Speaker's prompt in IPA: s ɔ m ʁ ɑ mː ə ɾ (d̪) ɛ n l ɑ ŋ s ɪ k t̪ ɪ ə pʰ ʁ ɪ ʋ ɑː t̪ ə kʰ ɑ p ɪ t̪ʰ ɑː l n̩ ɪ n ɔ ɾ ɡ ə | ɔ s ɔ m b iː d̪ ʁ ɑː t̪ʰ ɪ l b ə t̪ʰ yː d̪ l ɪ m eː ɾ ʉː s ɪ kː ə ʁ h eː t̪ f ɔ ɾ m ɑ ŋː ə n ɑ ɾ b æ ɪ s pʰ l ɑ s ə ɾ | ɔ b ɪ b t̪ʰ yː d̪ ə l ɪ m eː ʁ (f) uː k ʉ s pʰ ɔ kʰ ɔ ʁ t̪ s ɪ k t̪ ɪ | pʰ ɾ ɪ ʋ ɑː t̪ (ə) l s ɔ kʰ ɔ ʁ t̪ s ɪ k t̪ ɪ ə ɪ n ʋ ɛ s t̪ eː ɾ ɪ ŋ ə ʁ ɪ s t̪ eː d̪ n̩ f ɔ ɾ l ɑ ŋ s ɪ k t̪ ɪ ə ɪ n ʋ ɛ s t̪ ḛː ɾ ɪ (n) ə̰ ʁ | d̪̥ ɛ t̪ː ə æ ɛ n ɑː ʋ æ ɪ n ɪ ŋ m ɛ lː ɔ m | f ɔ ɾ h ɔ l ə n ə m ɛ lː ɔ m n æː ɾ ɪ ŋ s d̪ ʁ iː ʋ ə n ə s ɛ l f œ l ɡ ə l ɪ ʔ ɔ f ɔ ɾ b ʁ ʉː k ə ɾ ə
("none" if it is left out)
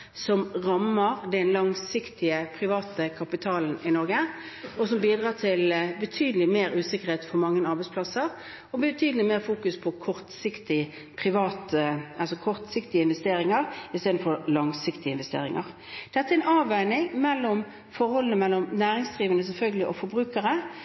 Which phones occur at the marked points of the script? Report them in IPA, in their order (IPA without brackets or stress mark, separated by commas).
d̪, f, ɑ, ŋ